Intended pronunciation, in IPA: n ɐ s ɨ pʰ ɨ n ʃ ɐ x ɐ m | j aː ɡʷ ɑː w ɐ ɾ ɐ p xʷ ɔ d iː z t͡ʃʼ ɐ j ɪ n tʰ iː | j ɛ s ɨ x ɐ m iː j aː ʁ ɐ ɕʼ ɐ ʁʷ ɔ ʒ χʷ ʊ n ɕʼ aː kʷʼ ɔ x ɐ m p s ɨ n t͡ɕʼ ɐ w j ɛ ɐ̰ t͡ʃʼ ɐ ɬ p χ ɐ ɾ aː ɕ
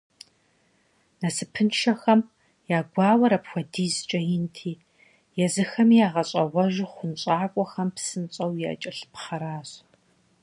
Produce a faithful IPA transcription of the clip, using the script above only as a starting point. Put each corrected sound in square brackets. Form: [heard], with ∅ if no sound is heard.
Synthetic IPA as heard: n ɐ s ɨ pʰ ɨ n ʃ ɐ x ɐ m | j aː ɡʷ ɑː w ɐ ɾ ɐ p xʷ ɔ d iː z t͡ʃʼ ɐ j ɪ n tʰ iː | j ɛ [z] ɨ x ɐ m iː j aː ʁ ɐ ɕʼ ɐ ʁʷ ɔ ʒ χʷ ʊ n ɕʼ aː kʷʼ ɔ x ɐ m p s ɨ n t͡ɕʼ ɐ w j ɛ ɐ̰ t͡ʃʼ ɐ ɬ p χ ɐ ɾ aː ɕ